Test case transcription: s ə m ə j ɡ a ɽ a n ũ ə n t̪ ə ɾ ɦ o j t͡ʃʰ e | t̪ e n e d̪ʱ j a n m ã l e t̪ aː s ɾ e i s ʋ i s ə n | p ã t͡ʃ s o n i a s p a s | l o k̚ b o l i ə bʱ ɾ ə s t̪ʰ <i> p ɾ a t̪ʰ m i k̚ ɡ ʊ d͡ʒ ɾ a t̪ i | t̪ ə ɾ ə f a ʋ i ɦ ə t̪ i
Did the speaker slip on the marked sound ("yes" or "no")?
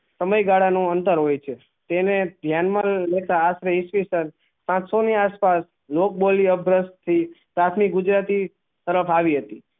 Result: no